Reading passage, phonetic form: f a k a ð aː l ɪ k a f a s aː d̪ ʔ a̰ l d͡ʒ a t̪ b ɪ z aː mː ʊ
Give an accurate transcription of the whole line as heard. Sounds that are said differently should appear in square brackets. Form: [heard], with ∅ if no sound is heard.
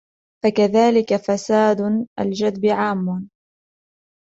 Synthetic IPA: f a k a ð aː l ɪ k a f a s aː d̪ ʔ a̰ l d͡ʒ a [d̪] b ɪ [ʕ] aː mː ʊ